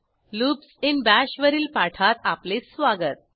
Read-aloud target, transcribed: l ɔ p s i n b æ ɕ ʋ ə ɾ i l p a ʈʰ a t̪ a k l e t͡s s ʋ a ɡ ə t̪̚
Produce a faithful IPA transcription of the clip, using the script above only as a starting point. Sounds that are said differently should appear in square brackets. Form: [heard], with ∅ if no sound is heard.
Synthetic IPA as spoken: l [u] p s i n b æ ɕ ʋ ə ɾ [iː] l p a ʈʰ a t̪ a [p] l e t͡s s ʋ a ɡ ə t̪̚